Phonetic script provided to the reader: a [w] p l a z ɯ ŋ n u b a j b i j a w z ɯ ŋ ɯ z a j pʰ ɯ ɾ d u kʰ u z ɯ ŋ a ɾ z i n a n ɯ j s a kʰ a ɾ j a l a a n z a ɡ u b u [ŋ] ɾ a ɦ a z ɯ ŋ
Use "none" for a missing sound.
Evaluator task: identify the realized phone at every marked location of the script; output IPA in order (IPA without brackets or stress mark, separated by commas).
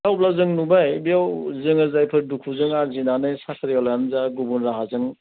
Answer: w, n